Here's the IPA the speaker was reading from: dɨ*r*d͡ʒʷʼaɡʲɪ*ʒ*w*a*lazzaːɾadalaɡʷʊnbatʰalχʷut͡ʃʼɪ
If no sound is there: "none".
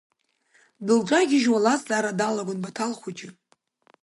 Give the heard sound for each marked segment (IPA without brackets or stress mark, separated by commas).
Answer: l, ʒ, a